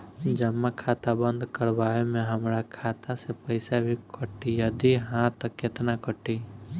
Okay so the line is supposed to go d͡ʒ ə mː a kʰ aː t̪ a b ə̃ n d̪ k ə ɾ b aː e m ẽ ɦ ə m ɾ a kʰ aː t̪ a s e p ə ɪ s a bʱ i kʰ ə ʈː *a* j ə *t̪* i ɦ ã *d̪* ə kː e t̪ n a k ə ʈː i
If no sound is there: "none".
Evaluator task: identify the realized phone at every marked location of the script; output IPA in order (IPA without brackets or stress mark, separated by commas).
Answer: i, d̪, t̪